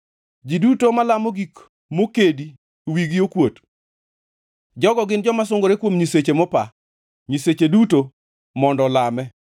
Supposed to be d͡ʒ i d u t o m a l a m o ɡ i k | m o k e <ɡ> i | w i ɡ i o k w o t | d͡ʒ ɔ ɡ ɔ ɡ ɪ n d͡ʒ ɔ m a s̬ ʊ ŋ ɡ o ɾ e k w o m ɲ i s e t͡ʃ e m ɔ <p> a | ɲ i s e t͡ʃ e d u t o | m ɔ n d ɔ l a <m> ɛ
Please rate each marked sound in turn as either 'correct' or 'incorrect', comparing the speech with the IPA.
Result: incorrect: d, correct, correct

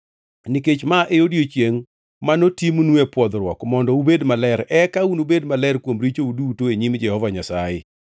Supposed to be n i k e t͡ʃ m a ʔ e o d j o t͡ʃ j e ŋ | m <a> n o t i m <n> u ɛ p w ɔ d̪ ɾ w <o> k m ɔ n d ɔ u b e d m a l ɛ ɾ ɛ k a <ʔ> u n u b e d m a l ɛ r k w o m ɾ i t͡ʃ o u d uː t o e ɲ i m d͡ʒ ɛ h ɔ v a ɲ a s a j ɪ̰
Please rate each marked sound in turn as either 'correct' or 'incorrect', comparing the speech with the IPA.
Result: correct, correct, incorrect: ɔ, incorrect: none

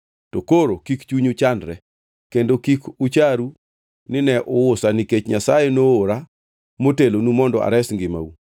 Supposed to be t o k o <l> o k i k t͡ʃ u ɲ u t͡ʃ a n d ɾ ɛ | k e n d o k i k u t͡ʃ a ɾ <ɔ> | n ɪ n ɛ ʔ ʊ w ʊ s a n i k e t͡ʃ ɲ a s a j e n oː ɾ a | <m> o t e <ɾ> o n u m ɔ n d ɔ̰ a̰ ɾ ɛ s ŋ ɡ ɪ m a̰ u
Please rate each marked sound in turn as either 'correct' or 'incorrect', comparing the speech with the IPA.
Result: incorrect: ɾ, incorrect: u, correct, incorrect: l

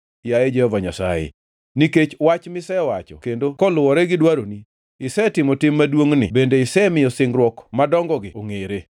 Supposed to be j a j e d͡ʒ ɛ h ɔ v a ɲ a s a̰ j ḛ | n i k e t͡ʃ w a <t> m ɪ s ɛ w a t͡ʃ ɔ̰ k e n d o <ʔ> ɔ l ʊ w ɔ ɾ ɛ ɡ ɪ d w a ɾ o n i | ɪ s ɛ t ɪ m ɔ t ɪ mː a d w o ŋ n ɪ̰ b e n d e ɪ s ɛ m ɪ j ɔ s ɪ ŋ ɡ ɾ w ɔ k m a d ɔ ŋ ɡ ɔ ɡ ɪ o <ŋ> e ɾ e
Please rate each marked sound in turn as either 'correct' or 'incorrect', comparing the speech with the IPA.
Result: incorrect: t͡ʃ, incorrect: k, correct

